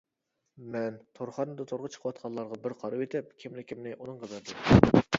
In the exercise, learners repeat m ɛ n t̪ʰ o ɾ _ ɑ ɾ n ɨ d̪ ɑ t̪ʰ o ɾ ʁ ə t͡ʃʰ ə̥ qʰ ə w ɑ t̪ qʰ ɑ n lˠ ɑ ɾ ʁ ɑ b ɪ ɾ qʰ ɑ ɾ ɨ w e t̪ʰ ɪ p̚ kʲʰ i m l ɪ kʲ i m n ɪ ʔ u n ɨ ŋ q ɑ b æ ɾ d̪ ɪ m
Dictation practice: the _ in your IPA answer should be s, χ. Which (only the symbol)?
χ